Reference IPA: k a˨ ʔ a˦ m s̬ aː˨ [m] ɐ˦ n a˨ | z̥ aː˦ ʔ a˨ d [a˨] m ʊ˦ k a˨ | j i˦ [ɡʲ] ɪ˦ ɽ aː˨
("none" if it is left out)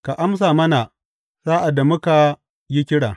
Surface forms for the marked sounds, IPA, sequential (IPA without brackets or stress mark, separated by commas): m, a˨, kʲ